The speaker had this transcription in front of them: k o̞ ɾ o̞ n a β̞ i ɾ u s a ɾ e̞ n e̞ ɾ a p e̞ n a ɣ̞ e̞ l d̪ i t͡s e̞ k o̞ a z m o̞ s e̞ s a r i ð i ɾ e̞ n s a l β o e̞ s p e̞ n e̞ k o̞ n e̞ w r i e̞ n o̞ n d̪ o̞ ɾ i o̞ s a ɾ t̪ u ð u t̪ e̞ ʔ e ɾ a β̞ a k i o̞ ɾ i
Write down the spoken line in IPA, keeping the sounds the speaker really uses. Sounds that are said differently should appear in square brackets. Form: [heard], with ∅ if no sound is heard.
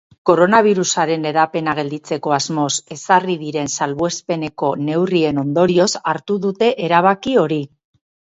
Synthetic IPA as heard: k o̞ ɾ o̞ n a β̞ i ɾ u s a ɾ e̞ n e̞ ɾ a p e̞ n a ɣ̞ e̞ l d̪ i t͡s e̞ k o̞ a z m o̞ s e̞ s a r i ð i ɾ e̞ n s a l β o e̞ s p e̞ n e̞ k o̞ n e̞ w r i e̞ n o̞ n d̪ o̞ ɾ i o̞ s a ɾ t̪ u ð u t̪ e̞ ʔ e ɾ a β̞ a k i o̞ ɾ i